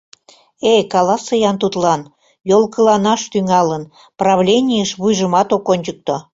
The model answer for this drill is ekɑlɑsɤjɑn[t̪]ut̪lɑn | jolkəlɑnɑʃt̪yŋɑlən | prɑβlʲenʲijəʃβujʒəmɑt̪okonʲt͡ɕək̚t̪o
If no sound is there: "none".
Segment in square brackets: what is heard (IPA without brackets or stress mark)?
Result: t̪